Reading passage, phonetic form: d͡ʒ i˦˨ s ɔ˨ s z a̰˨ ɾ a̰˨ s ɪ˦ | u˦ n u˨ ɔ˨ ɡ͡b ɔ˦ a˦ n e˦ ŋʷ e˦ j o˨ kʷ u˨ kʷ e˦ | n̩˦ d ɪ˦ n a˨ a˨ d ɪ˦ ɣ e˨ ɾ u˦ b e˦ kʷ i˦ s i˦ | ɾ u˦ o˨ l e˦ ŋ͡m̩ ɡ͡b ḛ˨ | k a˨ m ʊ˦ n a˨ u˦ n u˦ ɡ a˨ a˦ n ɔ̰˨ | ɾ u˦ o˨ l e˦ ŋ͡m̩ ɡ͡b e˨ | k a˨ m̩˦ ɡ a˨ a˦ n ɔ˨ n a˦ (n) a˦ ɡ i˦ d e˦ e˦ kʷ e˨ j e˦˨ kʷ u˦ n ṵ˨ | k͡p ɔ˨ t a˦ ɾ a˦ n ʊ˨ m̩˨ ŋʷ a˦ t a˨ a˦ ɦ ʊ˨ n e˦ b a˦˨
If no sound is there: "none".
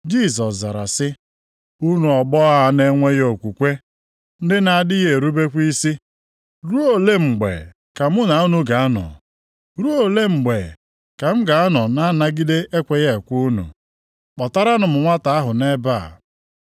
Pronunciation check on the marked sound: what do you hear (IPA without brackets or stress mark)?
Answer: n